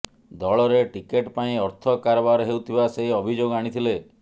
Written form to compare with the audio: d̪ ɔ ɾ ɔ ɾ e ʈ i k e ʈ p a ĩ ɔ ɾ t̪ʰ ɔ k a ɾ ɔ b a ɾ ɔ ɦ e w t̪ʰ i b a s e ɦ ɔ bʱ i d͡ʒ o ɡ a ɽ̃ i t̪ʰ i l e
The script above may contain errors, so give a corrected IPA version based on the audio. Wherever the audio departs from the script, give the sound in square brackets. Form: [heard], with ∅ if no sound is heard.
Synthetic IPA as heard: d̪ ɔ [ɭ] ɔ ɾ e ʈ i k e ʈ p a ĩ ɔ ɾ t̪ʰ ɔ k a ɾ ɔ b a ɾ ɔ ɦ e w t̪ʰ i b a s e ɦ ɔ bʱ i d͡ʒ o ɡ a ɽ̃ i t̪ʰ i l e